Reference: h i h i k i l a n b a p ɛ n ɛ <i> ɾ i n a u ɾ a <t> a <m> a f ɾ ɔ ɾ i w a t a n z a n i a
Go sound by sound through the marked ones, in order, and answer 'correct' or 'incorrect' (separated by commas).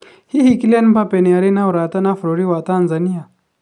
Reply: incorrect, correct, incorrect